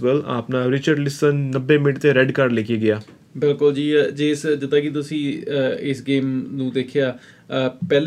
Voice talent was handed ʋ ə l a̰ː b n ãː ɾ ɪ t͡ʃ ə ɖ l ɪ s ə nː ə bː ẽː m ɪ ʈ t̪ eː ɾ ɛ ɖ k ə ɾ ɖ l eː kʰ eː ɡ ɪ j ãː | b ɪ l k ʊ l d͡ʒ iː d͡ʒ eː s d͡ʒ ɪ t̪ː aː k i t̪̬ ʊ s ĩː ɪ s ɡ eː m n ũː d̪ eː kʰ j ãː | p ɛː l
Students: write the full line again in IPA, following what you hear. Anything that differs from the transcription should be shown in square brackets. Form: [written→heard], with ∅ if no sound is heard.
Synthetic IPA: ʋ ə l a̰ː [b→p] n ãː ɾ ɪ t͡ʃ ə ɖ l ɪ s ə nː ə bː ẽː m ɪ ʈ t̪ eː ɾ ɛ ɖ k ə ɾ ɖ l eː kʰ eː ɡ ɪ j [ãː→aː] | b ɪ l k ʊ l d͡ʒ iː d͡ʒ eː s d͡ʒ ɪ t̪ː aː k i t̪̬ ʊ s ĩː ɪ s ɡ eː m n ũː d̪ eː kʰ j [ãː→aː] | p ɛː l